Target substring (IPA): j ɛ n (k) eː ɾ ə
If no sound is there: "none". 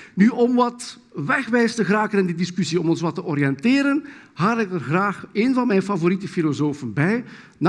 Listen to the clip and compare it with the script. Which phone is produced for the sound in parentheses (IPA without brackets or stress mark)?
t